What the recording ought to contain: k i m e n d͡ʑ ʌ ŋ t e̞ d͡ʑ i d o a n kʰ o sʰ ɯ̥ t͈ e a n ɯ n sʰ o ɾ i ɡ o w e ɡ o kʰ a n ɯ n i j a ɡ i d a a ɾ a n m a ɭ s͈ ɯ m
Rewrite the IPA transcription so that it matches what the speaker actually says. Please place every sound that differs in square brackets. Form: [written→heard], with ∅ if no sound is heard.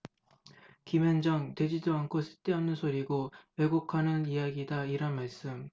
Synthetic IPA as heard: k i m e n d͡ʑ ʌ ŋ t e̞ d͡ʑ i d o a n kʰ o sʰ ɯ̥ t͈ e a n ɯ n sʰ o ɾ i ɡ o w e ɡ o kʰ a n ɯ n i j a ɡ i d a [a→i] ɾ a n m a ɭ s͈ ɯ m

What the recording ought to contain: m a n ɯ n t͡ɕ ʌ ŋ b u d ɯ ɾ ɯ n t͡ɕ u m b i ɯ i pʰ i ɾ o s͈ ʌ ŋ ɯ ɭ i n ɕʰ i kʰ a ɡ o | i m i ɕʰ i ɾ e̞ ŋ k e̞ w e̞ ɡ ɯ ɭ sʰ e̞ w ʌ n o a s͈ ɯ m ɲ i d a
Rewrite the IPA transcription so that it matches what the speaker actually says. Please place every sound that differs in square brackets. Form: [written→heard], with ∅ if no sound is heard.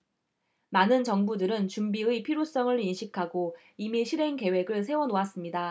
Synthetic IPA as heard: m a n ɯ n t͡ɕ ʌ ŋ b u d ɯ ɾ ɯ n t͡ɕ u m b i ɯ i pʰ i ɾ o s͈ ʌ ŋ ɯ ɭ i n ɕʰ i kʰ a ɡ o | i m i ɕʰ i ɾ e̞ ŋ k e̞ w e̞ ɡ ɯ ɭ sʰ e̞ w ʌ n o a s͈ ɯ m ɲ i d a

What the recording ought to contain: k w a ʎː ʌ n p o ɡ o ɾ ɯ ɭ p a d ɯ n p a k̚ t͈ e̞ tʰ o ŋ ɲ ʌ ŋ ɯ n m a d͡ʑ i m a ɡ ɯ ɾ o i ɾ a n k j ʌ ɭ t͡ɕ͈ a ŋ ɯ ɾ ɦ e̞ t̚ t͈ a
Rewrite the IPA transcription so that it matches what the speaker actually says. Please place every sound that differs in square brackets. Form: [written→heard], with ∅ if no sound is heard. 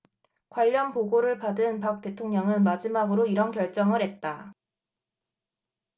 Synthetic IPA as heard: k w a ʎː ʌ n p o ɡ o ɾ ɯ ɭ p a d ɯ n p a k̚ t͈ e̞ tʰ o ŋ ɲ ʌ ŋ ɯ n m a d͡ʑ i m a ɡ ɯ ɾ o i ɾ [a→ʌ] n k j ʌ ɭ t͡ɕ͈ [a→ʌ] ŋ ɯ ɾ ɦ e̞ t̚ t͈ a

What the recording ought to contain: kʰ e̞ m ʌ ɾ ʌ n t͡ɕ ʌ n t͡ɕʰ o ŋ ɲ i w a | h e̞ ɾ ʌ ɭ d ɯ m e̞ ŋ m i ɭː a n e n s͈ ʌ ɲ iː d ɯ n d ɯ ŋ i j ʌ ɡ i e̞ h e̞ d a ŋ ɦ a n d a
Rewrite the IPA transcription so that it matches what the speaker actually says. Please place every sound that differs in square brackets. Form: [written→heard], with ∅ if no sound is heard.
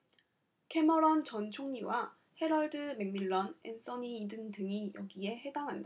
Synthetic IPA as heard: kʰ e̞ m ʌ ɾ ʌ n t͡ɕ ʌ n t͡ɕʰ o ŋ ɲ i w a | h e̞ ɾ ʌ ɭ d ɯ m e̞ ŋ m i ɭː [a→ʌ] n e n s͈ ʌ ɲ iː d ɯ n d ɯ ŋ i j ʌ ɡ i e̞ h e̞ d a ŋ ɦ a n d a

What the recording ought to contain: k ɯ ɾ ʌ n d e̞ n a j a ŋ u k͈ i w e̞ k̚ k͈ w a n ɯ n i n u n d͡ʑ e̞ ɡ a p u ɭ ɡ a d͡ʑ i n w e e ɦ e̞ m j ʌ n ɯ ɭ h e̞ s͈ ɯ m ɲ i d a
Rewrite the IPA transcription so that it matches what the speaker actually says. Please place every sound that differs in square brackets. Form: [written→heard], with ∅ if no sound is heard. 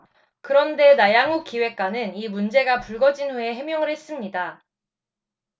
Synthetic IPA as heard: k ɯ ɾ ʌ n d e̞ n a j a ŋ u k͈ i w e̞ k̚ k͈ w a n ɯ n i [n→m] u n d͡ʑ e̞ ɡ a p u ɭ ɡ [a→ʌ] d͡ʑ i n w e e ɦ e̞ m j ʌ [n→ŋ] ɯ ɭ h e̞ s͈ ɯ m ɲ i d a

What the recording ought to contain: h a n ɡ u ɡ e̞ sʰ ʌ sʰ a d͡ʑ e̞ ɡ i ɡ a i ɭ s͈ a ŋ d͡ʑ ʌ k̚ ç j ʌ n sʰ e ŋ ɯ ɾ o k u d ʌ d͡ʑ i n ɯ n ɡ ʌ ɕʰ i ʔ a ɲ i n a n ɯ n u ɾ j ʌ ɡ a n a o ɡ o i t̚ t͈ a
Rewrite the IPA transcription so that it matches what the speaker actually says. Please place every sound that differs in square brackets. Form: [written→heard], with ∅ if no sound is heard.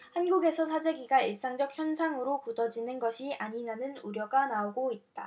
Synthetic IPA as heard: h a n ɡ u ɡ e̞ sʰ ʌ sʰ a d͡ʑ e̞ ɡ i ɡ a i ɭ s͈ a ŋ d͡ʑ ʌ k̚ ç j ʌ n sʰ [e→a] ŋ ɯ ɾ o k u d ʌ d͡ʑ i n ɯ n ɡ ʌ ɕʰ i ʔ a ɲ i n a n ɯ n u ɾ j ʌ ɡ a n a o ɡ o i t̚ t͈ a

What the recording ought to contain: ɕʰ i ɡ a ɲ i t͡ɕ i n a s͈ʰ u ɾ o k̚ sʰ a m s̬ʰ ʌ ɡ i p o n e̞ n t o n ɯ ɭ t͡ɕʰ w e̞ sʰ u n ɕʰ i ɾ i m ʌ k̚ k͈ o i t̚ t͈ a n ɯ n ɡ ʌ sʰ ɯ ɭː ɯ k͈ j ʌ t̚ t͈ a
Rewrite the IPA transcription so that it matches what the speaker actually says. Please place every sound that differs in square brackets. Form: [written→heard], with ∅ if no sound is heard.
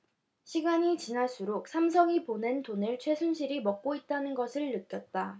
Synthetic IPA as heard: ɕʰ i ɡ a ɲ i t͡ɕ i n a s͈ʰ u ɾ o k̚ sʰ a m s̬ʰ ʌ [ɡ→ŋ] i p o n e̞ n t o n ɯ ɭ t͡ɕʰ w e̞ sʰ u n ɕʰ i ɾ i m ʌ k̚ k͈ o i t̚ t͈ a n ɯ n ɡ ʌ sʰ ɯ ɭː ɯ k͈ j ʌ t̚ t͈ a

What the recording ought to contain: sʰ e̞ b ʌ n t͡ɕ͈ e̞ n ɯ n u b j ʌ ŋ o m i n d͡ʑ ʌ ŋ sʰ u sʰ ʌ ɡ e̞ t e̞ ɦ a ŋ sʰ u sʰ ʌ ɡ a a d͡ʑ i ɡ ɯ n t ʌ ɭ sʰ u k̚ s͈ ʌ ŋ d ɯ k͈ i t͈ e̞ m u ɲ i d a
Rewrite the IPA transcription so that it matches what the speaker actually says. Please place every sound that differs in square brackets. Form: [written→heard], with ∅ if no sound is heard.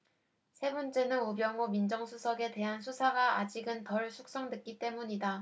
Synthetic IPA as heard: sʰ e̞ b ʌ n t͡ɕ͈ e̞ n ɯ n u b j ʌ ŋ o m i n d͡ʑ ʌ ŋ sʰ u sʰ ʌ ɡ e̞ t e̞ ɦ a [ŋ→n] sʰ u sʰ [ʌ→a] ɡ a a d͡ʑ i ɡ ɯ n t ʌ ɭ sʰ u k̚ s͈ ʌ ŋ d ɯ k͈ i t͈ e̞ m u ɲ i d a

